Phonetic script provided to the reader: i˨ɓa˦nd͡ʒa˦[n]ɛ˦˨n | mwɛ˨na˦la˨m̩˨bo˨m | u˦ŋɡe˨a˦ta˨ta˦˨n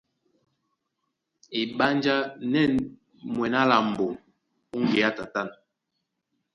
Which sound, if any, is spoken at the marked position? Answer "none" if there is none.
n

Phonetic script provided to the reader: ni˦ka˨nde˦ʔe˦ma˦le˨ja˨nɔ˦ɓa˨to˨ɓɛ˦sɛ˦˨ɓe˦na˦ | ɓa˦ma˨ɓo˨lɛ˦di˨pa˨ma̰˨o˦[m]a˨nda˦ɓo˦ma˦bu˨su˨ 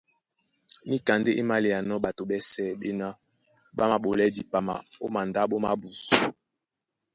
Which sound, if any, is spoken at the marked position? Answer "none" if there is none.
m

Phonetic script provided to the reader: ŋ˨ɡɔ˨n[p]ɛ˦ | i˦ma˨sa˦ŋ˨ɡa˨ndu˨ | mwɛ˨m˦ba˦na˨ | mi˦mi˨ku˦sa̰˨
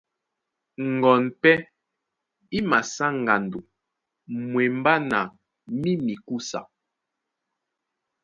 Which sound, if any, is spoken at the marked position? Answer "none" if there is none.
p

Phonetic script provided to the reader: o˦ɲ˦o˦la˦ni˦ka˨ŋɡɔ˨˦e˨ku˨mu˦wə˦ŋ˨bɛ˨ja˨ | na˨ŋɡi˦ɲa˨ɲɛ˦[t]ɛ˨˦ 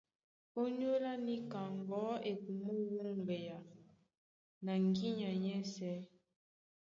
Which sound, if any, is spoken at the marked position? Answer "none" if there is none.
s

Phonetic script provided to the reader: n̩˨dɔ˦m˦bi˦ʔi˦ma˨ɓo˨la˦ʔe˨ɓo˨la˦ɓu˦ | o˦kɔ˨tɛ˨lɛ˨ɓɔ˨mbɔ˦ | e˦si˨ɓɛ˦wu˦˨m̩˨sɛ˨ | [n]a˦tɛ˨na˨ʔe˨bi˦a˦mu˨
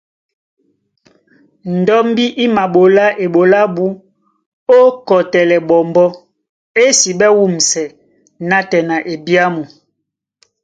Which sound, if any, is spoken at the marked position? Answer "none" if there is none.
n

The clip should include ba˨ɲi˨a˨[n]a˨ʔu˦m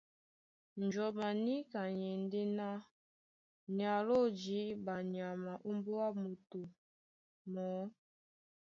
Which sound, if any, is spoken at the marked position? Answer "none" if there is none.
m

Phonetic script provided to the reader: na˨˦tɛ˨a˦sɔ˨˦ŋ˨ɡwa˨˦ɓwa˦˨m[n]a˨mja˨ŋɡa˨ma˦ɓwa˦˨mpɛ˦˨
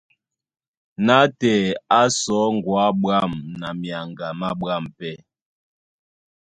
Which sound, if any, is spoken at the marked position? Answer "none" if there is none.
n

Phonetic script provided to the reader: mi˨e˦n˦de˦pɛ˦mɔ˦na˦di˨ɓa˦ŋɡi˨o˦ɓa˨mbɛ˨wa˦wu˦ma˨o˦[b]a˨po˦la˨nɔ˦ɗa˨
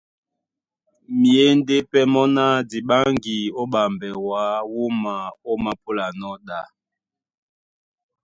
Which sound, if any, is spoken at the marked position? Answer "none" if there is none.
m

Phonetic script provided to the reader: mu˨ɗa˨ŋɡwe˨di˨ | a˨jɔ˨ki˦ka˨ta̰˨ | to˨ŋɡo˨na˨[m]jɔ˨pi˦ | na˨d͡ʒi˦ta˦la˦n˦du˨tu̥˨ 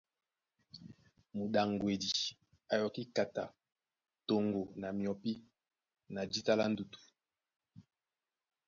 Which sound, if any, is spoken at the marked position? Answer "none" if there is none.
m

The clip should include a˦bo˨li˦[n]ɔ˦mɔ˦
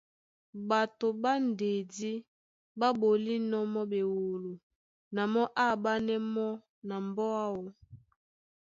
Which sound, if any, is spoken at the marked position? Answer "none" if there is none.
n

